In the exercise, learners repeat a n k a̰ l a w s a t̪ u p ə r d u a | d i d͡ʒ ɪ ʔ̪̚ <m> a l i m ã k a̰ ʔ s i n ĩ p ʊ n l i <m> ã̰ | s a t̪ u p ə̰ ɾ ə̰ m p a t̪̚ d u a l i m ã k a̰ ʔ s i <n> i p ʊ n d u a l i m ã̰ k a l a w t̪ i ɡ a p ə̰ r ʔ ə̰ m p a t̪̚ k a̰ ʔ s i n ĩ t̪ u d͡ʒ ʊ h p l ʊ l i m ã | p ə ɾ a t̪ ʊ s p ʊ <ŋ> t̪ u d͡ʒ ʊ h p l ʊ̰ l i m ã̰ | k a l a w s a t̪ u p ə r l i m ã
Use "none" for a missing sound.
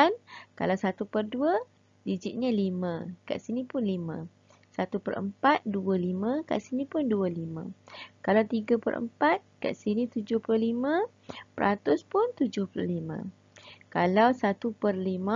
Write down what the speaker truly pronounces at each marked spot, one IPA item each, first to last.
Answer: ɲ, m, n, n

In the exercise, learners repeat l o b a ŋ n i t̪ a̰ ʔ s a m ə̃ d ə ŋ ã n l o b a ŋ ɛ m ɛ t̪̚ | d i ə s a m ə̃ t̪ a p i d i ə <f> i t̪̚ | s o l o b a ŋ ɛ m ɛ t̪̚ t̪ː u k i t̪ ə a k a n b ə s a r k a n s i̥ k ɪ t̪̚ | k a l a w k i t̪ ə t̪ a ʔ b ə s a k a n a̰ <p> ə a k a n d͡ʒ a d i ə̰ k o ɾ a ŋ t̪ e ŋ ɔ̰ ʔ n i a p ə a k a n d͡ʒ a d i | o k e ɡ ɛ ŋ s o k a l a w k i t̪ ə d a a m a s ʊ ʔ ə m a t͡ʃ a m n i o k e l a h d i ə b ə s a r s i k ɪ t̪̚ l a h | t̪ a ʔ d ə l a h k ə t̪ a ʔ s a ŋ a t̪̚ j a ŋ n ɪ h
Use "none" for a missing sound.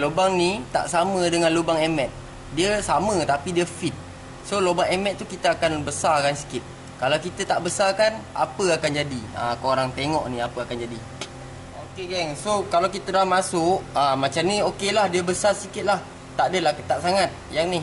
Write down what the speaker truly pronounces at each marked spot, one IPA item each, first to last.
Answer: f, p

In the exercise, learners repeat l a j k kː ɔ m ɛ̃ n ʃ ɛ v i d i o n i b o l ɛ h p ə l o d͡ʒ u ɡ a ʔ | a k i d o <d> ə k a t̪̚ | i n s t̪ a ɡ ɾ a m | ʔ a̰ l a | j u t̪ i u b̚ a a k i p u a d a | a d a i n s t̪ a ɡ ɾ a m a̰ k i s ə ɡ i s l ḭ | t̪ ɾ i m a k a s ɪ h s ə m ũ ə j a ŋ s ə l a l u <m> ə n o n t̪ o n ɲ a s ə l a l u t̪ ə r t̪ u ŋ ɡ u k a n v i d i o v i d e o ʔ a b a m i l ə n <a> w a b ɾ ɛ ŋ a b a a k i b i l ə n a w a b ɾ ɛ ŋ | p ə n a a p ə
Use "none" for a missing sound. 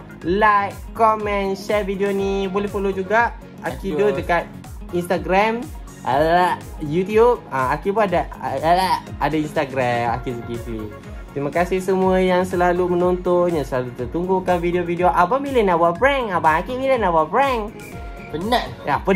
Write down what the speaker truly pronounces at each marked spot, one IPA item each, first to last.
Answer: d, m, a

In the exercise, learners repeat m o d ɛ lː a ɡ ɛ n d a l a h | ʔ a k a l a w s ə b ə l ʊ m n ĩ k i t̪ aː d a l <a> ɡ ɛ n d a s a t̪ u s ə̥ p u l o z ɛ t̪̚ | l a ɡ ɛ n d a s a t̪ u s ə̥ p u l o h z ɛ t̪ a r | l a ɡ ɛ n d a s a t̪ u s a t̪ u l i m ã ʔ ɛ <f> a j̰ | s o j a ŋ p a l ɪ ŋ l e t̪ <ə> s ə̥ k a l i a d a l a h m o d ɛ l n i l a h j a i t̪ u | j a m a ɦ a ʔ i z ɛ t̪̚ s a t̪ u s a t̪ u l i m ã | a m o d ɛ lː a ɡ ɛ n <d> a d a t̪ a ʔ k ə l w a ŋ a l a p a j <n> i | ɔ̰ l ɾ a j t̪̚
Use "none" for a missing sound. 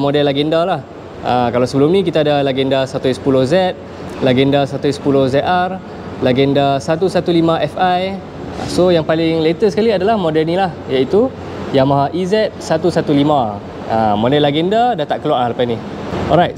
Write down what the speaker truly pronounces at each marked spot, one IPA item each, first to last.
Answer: a, f, ə, d, n

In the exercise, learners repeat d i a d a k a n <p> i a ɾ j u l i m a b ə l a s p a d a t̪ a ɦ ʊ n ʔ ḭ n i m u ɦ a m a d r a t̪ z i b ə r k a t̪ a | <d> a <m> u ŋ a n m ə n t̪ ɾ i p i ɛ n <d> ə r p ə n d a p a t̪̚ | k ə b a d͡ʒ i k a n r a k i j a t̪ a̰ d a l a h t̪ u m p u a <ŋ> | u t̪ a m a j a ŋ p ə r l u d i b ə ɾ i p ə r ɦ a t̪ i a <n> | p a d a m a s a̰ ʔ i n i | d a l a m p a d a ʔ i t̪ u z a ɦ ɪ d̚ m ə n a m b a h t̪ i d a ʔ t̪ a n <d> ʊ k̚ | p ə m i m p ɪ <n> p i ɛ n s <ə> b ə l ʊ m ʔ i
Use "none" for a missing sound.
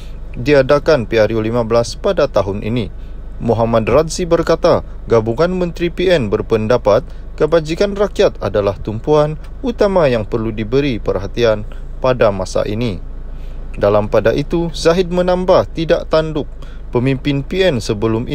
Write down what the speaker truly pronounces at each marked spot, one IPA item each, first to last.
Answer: p, ɡ, b, b, n, n, d, n, ə

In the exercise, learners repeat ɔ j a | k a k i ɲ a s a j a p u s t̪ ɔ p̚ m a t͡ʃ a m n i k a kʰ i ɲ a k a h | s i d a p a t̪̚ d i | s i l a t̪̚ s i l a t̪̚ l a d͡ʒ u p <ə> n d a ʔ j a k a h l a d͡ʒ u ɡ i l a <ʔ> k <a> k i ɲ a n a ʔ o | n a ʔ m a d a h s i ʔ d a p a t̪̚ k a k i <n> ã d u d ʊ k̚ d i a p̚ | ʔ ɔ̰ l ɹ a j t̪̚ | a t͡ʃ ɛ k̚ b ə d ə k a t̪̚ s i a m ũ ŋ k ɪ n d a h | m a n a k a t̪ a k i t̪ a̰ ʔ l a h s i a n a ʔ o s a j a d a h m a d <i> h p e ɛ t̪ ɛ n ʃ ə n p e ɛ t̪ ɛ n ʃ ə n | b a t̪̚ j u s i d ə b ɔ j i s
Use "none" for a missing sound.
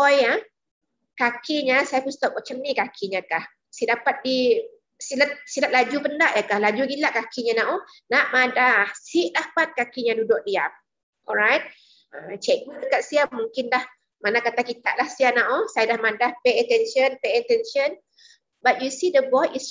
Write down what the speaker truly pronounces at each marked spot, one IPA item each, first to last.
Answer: ə, ʔ, a, ɲ, a

